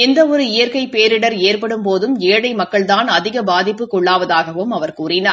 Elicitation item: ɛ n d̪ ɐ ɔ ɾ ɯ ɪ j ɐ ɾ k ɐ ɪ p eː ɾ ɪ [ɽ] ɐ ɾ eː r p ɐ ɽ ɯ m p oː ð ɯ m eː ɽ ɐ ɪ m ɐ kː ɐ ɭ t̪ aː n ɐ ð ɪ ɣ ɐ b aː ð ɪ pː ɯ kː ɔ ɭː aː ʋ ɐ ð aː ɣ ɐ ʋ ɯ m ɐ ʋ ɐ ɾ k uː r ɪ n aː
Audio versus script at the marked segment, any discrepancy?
no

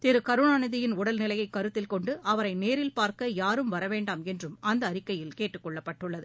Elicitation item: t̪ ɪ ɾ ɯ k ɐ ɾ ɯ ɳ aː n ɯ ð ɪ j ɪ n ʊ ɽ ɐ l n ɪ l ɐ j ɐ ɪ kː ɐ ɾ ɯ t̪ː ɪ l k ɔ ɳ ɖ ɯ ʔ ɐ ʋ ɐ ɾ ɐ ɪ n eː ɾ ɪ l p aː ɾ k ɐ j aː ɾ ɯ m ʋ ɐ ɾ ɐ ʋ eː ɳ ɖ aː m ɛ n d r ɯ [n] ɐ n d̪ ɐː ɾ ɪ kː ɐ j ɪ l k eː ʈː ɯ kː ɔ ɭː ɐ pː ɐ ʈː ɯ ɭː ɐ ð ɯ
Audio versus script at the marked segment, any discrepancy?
yes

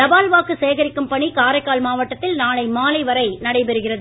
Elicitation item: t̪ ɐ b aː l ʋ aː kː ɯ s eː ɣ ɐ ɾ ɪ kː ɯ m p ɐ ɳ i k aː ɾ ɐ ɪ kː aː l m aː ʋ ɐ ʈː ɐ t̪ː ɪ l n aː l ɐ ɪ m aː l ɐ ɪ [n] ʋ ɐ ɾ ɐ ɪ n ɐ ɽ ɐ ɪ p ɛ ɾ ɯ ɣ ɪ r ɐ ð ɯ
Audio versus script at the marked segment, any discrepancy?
yes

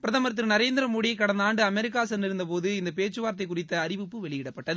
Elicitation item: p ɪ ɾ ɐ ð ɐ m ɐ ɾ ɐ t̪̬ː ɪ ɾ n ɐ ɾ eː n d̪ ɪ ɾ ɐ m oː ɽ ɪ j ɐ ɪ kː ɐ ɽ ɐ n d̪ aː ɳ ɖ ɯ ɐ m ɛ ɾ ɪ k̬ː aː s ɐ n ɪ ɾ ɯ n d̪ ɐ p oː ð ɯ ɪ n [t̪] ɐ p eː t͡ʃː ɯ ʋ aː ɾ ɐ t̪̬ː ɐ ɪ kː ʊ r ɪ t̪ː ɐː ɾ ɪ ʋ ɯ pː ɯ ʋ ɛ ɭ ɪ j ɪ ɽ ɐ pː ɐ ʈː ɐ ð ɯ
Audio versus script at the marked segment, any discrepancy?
yes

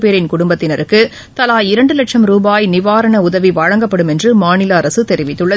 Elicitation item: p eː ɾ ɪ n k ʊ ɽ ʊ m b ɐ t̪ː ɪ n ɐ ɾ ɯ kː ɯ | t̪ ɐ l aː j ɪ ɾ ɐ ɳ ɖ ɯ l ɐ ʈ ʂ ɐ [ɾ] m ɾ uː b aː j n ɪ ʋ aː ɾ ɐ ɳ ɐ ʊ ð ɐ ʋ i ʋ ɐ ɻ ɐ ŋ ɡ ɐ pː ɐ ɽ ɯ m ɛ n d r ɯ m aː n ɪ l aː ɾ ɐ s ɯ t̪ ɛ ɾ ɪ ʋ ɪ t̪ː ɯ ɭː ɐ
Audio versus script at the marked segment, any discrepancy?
yes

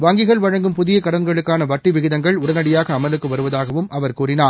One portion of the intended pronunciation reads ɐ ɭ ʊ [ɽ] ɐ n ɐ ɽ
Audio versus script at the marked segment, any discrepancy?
no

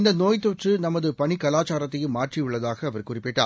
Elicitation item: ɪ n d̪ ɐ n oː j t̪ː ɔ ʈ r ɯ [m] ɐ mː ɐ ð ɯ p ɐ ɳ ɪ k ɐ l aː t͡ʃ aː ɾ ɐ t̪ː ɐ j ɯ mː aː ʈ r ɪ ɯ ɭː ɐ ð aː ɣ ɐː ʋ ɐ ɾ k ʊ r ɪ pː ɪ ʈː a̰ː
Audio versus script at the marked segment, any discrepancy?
yes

